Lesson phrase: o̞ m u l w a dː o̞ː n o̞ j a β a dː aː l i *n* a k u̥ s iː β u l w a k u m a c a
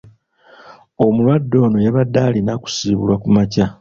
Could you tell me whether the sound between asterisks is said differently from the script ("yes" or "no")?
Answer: no